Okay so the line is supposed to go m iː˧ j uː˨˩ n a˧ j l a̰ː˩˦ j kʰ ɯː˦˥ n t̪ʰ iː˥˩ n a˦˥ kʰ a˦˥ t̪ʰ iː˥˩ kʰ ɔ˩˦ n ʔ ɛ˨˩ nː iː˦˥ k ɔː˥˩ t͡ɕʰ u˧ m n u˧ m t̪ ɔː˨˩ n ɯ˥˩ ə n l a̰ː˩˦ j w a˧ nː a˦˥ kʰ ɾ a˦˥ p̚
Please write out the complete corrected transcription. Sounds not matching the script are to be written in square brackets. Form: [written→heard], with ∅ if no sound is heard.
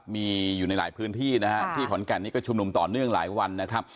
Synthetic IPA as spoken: m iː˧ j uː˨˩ n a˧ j l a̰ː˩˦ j [kʰ→pʰ] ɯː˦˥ n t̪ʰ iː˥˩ n a˦˥ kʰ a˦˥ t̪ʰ iː˥˩ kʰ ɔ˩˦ n [ʔ→k] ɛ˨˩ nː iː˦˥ k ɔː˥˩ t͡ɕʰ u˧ m n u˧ m t̪ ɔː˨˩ n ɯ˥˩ ə [n→ŋ] l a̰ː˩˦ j w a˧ nː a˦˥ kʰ ɾ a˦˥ p̚